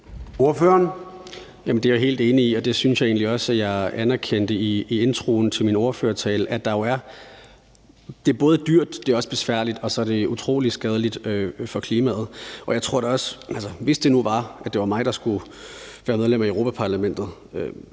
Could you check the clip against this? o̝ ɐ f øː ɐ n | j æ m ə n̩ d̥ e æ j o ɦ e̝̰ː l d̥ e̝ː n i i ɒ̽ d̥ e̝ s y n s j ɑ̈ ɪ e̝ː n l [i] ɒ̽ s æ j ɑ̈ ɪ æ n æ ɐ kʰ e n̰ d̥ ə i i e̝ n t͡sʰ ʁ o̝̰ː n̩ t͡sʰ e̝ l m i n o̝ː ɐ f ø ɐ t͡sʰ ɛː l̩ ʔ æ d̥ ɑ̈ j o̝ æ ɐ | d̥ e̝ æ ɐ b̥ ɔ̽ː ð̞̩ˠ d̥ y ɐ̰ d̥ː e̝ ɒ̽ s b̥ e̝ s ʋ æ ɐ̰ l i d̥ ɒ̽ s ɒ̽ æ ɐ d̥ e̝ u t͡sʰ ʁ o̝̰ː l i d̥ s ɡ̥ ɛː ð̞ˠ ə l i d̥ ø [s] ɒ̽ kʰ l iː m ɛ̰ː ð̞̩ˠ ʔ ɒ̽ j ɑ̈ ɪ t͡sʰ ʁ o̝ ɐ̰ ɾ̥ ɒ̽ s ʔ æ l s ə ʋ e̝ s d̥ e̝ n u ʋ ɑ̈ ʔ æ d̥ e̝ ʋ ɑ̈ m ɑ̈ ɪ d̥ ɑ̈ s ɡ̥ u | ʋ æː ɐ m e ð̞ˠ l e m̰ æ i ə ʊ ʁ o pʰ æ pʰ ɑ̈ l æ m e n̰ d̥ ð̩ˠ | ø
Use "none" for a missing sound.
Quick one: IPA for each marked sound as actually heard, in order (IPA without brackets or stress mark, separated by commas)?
i, f